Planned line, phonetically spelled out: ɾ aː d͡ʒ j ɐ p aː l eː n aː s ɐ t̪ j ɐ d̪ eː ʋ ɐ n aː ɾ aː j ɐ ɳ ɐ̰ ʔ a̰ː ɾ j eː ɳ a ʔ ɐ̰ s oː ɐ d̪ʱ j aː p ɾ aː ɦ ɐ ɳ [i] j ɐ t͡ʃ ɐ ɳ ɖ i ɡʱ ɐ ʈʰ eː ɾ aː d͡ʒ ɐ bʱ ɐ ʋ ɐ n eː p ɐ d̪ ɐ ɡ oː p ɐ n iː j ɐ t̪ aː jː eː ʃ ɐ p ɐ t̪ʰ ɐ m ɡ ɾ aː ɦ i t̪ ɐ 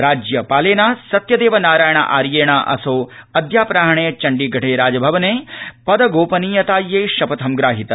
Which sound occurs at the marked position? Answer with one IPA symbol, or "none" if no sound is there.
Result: e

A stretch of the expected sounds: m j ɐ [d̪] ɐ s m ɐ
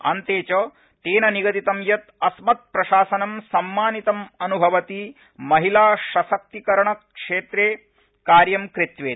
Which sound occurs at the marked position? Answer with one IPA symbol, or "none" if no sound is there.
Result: t̪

